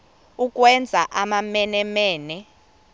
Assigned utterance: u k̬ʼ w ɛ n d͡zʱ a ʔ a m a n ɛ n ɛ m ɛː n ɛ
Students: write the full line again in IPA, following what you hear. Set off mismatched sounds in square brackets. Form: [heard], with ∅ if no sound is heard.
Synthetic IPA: u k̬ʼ w ɛ n d͡zʱ a ʔ a m a [m] ɛ n ɛ m ɛː n ɛ

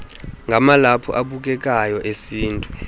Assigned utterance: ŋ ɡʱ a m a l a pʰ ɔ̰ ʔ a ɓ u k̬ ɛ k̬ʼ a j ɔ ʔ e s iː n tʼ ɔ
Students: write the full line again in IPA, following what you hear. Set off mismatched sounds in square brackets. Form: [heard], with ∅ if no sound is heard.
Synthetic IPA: ŋ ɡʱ a m a l a pʰ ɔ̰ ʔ a ɓ u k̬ ɛ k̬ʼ a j ɔ ʔ e s iː n tʼ [u]

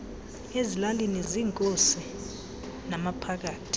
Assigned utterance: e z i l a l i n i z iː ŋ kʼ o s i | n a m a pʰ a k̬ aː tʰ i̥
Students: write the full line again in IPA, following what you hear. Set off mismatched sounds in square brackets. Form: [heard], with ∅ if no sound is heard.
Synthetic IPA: e z i l a l i n i z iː ŋ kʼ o s i | n a m a pʰ a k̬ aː tʰ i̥

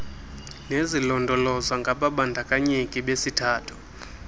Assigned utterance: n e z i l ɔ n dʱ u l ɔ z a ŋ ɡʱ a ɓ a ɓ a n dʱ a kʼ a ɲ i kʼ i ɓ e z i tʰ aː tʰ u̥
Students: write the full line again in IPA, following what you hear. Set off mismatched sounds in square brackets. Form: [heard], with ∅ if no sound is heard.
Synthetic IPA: n e z i l ɔ n dʱ [ɔ] l ɔ z a ŋ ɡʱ a ɓ a ɓ a n dʱ a kʼ a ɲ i kʼ i ɓ e [s] i tʰ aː tʰ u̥

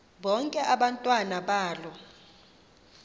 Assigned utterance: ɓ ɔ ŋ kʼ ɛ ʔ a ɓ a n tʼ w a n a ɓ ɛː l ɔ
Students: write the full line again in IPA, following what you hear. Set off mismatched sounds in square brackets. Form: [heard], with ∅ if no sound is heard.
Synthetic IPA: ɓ ɔ ŋ kʼ ɛ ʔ a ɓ a n tʼ w a n a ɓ [aː] l ɔ

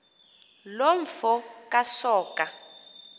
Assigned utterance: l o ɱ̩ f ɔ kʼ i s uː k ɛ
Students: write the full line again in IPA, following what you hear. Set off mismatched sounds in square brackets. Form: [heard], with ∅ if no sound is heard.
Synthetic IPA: l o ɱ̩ f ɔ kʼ [a] s [ɔː] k [a]

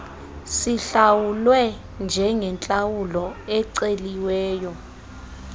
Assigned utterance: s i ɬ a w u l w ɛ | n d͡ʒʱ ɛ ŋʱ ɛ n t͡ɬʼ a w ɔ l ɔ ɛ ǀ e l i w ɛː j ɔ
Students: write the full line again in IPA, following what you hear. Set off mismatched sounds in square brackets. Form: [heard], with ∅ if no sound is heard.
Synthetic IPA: s i ɬ a w u l w ɛ | n d͡ʒʱ ɛ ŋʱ ɛ n t͡ɬʼ a w [u] l ɔ ɛ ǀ e l i w ɛː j ɔ

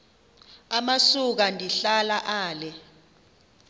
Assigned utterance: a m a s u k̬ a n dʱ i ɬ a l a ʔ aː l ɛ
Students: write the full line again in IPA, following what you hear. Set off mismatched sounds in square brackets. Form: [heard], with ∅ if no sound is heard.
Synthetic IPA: a m a s u k̬ a n dʱ i ɬ a l a ʔ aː l ɛ

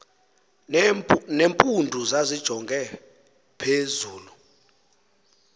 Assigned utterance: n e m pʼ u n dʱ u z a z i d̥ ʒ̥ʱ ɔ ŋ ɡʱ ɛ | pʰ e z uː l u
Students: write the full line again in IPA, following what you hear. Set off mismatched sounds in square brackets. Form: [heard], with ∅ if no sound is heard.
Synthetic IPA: n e m pʼ u n dʱ u z a z i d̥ ʒ̥ʱ ɔ ŋ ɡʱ ɛ | pʰ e z uː l u

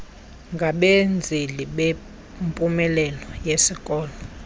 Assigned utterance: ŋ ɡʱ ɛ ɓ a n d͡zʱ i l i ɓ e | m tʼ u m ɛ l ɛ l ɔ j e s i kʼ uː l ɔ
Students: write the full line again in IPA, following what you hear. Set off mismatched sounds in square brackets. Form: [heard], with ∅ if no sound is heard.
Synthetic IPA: ŋ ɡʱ [a] ɓ [e] n d͡zʱ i l i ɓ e | m [pʼ] u m ɛ l ɛ l ɔ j e s i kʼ [ɔː] l ɔ

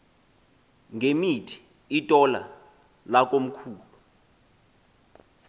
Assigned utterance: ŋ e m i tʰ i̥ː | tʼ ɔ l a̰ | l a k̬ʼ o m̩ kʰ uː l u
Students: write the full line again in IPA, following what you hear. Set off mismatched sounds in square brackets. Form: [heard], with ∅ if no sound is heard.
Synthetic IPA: ŋ e m i tʰ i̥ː | tʼ ɔ l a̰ | l a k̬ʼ o m̩ kʰ uː l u

